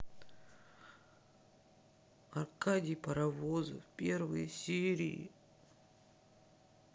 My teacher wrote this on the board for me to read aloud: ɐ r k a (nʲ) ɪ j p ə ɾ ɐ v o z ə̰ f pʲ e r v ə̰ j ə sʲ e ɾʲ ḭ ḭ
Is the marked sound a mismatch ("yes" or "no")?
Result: yes